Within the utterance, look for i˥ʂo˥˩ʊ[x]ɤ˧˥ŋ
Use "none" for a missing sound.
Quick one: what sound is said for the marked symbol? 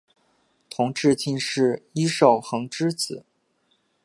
x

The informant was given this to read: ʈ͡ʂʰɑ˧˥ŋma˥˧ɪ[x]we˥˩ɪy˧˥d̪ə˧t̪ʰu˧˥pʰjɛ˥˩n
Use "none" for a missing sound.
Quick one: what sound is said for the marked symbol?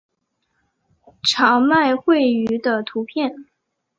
x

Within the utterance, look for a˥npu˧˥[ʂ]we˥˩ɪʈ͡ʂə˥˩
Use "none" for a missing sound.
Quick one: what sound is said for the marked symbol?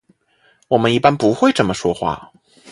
x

